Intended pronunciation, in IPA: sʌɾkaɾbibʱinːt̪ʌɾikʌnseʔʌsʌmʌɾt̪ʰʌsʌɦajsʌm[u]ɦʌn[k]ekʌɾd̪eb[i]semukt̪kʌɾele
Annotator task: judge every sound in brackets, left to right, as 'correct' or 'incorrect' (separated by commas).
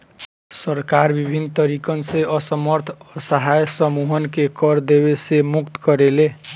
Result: correct, correct, incorrect